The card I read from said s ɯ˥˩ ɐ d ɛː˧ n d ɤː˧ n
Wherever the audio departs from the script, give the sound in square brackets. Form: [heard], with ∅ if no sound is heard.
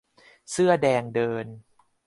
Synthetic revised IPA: s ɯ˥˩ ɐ d ɛː˧ [ŋ] d ɤː˧ n

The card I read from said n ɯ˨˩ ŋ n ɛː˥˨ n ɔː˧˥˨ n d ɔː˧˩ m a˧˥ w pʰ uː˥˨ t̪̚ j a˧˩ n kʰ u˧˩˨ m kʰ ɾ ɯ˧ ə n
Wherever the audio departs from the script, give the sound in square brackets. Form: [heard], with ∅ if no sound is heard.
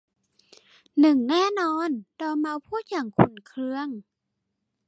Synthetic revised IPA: n ɯ˨˩ ŋ n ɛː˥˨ n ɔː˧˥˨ n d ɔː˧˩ m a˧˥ w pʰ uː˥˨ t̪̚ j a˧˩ [ŋ] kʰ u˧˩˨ [n] kʰ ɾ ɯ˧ ə [ŋ]

